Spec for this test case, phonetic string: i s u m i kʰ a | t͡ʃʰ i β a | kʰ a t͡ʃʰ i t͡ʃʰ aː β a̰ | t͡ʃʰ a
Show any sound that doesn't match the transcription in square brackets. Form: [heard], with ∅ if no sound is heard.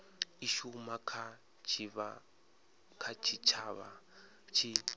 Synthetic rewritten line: i [ʃ] u m [a] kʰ a | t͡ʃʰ i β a | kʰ a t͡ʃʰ i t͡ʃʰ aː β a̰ | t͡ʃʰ [i]